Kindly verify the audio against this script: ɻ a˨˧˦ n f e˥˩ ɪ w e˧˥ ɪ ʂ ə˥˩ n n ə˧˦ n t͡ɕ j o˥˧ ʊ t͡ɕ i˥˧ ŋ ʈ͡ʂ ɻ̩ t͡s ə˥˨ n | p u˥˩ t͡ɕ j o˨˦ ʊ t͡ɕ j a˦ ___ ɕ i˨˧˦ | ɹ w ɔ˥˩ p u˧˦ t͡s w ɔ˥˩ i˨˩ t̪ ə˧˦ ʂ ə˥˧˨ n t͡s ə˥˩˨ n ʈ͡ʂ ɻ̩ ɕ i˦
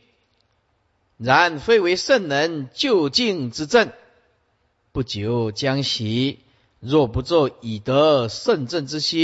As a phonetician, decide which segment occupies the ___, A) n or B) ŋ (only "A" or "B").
B